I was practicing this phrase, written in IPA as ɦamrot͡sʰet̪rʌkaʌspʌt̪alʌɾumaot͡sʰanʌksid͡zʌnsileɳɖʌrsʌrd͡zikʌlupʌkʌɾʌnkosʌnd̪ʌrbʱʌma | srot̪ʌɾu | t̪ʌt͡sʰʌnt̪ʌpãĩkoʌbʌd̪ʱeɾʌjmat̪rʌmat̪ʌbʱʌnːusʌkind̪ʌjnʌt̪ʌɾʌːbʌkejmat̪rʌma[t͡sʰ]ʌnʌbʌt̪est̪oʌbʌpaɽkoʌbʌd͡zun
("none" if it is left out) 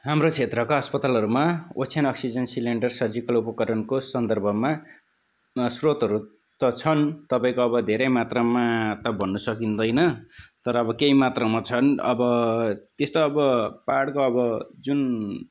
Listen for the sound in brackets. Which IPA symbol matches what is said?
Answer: t͡sʰ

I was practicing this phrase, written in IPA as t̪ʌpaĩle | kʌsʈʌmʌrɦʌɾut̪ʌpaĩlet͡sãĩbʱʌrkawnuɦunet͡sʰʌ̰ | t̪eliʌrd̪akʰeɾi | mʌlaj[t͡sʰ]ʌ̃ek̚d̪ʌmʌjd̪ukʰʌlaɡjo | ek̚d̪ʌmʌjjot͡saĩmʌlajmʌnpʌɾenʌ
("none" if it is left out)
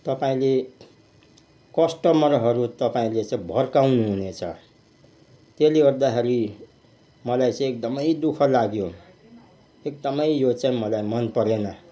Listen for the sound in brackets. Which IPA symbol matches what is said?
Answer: t͡s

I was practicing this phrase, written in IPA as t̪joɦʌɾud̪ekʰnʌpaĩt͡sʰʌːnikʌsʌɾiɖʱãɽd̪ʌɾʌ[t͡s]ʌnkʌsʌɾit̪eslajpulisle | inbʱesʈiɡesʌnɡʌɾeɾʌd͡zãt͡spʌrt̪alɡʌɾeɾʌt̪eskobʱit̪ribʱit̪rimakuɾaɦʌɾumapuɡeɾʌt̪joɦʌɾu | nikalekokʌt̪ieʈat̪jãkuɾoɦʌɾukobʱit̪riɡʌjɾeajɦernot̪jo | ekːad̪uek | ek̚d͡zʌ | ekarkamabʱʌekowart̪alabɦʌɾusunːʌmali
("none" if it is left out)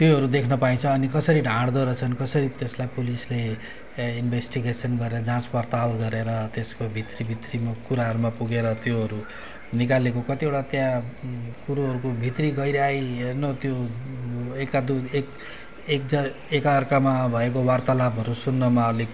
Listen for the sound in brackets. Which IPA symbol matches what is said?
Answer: t͡sʰ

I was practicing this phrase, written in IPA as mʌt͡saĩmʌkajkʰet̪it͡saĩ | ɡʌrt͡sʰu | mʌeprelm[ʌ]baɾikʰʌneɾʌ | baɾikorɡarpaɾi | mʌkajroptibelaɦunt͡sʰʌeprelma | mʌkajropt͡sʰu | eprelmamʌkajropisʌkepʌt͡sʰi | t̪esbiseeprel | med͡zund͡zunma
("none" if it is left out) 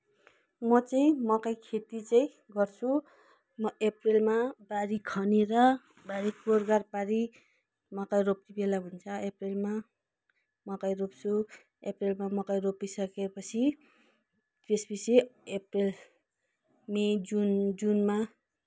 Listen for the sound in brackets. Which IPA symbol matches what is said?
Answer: a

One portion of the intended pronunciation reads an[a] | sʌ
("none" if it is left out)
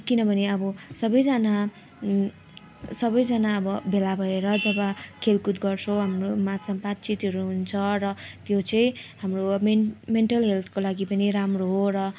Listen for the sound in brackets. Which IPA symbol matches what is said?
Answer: a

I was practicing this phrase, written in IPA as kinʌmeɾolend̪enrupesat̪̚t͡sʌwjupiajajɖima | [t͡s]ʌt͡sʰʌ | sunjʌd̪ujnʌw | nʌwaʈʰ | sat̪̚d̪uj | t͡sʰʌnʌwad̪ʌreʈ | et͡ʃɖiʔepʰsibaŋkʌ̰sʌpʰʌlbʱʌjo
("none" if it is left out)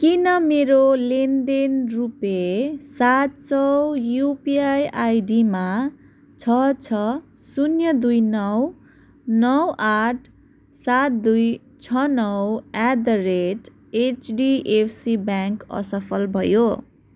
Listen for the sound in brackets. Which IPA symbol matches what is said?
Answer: t͡sʰ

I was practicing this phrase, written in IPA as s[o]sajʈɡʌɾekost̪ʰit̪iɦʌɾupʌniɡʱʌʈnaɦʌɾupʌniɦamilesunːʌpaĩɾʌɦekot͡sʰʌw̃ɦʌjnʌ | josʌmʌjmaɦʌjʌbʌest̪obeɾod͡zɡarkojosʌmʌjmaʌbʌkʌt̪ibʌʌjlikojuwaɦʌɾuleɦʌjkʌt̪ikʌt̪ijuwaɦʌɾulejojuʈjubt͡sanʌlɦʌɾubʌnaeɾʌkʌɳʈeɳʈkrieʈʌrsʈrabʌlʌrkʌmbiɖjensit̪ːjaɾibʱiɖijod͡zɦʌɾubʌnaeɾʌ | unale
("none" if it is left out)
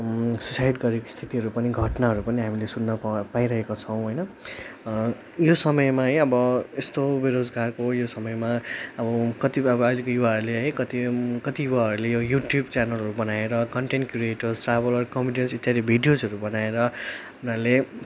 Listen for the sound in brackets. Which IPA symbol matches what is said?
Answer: u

